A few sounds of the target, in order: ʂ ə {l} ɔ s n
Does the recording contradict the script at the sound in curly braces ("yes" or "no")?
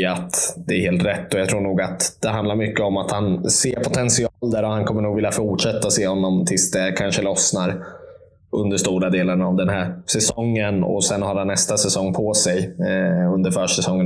no